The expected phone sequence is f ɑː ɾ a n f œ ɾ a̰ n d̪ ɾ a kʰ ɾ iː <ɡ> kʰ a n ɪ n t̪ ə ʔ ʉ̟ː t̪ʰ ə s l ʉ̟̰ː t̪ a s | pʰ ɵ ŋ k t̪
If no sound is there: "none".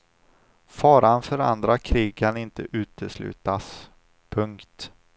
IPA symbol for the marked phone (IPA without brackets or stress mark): ɡ